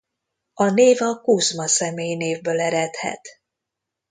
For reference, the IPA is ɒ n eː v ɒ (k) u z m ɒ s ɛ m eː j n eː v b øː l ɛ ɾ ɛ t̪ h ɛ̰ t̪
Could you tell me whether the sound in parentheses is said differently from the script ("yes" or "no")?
no